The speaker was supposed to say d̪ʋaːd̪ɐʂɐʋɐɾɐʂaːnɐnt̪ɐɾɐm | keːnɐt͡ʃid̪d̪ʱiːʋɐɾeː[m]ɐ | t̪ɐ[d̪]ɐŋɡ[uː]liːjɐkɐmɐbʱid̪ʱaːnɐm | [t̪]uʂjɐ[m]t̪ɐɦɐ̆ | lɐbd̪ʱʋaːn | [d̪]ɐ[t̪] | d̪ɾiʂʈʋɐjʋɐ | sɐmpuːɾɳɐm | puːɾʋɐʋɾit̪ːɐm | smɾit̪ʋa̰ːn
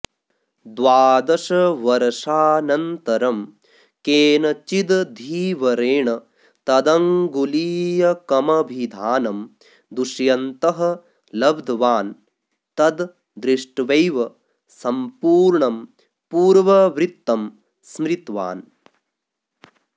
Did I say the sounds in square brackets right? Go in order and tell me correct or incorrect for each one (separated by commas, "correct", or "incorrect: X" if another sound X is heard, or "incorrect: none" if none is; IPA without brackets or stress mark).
incorrect: ɳ, correct, incorrect: u, incorrect: d̪, incorrect: n, incorrect: t̪, incorrect: d̪